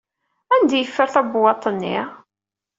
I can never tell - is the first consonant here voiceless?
no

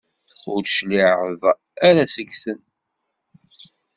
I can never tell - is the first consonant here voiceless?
no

